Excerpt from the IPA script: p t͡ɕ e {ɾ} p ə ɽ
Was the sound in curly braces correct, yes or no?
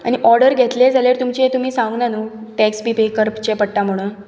no